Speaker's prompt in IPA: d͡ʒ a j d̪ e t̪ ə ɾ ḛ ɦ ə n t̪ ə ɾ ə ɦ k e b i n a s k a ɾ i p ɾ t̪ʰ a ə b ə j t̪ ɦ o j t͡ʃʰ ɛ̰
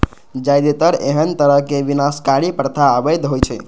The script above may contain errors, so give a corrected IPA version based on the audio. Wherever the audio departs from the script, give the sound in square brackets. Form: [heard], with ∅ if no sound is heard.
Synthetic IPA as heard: d͡ʒ a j d̪ e t̪ ə ɾ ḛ ɦ ə n t̪ ə ɾ ə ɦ k e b i n a s k a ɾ i p ɾ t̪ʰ a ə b ə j [d̪] ɦ o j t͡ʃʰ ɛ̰